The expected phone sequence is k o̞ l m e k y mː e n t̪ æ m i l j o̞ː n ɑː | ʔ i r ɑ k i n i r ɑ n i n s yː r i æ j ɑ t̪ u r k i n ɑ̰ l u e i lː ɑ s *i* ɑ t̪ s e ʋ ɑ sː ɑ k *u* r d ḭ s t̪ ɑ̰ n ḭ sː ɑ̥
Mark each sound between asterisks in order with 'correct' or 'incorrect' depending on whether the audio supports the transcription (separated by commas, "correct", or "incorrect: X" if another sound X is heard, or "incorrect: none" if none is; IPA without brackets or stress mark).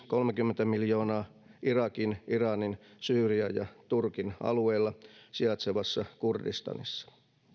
correct, correct